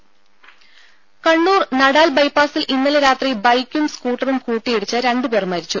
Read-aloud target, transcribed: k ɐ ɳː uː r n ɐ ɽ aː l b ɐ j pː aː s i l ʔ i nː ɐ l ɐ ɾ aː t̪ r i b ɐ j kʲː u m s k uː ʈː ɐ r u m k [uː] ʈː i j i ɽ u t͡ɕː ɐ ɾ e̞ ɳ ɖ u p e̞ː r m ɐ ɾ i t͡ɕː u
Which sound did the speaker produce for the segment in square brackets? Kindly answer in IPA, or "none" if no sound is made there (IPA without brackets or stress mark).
uː